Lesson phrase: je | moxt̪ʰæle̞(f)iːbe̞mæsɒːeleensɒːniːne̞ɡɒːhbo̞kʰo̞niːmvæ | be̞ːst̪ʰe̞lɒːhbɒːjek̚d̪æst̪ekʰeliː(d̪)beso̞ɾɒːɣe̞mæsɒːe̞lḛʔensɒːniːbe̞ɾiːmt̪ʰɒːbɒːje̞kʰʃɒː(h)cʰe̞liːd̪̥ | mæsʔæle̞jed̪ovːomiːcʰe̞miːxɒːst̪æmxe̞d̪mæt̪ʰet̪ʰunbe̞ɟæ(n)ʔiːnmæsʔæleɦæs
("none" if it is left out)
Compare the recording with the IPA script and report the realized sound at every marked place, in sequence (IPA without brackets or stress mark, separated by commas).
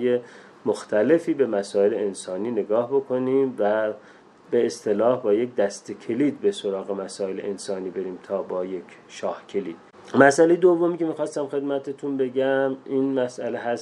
f, d̪, h, m